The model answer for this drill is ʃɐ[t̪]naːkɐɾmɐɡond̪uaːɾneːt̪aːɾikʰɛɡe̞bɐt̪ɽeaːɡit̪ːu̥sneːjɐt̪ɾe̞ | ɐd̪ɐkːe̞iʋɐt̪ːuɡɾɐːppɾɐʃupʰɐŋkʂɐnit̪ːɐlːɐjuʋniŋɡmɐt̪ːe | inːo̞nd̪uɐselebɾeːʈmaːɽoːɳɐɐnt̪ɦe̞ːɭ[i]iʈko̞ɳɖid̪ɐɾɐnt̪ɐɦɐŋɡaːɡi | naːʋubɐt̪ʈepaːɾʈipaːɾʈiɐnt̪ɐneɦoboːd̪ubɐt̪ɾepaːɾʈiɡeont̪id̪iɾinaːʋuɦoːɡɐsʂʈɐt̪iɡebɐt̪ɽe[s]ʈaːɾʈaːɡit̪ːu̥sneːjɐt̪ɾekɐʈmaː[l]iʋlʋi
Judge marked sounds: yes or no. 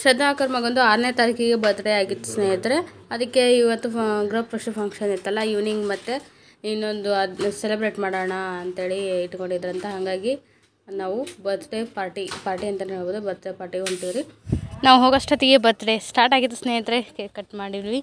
no, yes, yes, no

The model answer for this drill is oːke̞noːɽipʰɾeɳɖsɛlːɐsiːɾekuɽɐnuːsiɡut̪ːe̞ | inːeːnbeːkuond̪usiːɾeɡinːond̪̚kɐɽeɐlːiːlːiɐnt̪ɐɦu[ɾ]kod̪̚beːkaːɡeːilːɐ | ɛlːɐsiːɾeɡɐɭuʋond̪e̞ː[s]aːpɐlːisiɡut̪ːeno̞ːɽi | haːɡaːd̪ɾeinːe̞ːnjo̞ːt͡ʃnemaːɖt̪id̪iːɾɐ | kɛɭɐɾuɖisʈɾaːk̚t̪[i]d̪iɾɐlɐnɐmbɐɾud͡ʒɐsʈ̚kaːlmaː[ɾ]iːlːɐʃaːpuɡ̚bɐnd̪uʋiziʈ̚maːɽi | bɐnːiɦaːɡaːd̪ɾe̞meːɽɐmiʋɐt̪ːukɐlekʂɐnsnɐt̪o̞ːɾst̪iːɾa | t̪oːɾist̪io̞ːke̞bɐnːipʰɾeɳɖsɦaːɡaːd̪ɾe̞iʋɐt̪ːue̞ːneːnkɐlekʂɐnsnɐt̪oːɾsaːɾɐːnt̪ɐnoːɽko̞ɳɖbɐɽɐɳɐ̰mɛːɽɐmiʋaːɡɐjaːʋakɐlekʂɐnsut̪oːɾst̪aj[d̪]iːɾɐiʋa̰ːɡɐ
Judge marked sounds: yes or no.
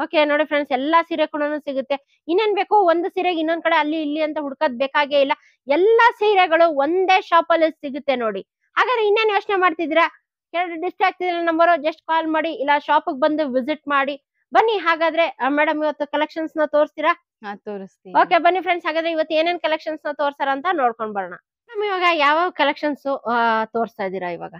no, no, yes, no, yes

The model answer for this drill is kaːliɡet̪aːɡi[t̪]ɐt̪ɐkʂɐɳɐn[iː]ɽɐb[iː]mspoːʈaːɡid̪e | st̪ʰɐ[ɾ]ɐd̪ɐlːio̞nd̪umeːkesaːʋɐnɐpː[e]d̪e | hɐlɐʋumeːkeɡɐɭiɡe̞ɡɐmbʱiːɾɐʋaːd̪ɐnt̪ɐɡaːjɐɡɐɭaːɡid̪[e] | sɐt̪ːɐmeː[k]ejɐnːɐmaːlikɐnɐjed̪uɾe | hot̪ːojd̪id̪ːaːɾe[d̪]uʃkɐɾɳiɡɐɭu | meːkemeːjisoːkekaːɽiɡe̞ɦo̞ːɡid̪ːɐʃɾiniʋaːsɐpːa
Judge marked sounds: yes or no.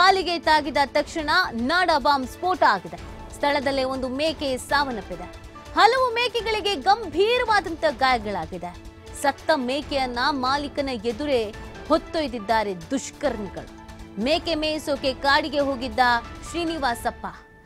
no, no, no, no, no, yes, yes, yes

